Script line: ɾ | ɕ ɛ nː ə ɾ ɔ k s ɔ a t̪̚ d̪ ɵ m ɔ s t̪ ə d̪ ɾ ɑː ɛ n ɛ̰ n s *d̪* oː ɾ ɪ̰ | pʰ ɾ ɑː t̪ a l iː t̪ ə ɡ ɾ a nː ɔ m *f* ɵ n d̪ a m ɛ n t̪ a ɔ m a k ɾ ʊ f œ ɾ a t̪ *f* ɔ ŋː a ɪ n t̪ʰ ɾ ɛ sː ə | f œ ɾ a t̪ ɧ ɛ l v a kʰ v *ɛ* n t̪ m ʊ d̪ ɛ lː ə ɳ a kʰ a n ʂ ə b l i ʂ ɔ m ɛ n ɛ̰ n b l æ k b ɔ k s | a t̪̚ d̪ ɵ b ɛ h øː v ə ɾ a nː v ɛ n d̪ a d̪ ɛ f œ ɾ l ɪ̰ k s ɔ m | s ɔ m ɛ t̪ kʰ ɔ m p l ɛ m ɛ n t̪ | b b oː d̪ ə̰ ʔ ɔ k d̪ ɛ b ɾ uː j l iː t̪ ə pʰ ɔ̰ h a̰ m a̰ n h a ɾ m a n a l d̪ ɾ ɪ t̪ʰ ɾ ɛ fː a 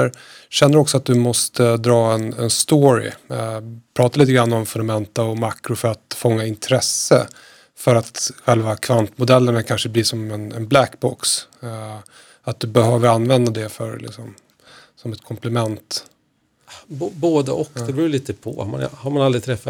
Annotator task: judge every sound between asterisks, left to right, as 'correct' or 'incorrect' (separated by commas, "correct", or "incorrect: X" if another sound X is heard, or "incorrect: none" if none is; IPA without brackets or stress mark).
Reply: incorrect: t̪, correct, correct, incorrect: a